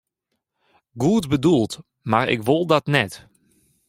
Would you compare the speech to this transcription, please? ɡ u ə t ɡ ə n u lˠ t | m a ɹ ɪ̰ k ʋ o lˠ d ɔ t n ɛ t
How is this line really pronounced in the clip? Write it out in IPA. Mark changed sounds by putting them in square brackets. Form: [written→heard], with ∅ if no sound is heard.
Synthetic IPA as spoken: ɡ u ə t [ɡ→b] ə [n→d] u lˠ t | m a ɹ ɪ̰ k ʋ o lˠ d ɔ t n ɛ t